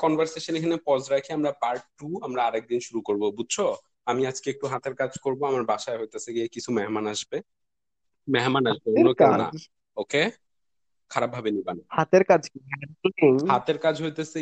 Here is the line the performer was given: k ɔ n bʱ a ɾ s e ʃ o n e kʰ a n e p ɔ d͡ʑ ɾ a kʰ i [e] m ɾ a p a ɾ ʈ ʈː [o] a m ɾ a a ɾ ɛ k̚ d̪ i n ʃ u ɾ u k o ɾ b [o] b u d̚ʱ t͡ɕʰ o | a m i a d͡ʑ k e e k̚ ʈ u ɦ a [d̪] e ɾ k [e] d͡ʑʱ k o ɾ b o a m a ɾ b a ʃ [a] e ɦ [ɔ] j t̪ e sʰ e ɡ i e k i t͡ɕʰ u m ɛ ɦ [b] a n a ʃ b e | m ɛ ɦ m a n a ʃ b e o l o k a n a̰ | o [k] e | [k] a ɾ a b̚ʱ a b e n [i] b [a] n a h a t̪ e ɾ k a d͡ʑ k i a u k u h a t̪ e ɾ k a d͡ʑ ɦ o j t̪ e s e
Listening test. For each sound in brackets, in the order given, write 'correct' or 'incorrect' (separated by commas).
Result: incorrect, incorrect, correct, incorrect, incorrect, correct, incorrect, incorrect, correct, incorrect, correct, correct